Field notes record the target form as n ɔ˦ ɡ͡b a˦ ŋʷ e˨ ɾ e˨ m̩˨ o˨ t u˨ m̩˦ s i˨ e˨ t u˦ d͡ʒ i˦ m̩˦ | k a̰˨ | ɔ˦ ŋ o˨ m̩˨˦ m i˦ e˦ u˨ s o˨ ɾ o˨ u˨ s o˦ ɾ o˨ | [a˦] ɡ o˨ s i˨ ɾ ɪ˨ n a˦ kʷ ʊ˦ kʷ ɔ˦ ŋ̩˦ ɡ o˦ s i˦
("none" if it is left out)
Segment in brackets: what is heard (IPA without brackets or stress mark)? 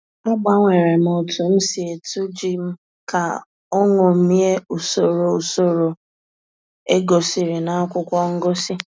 e˦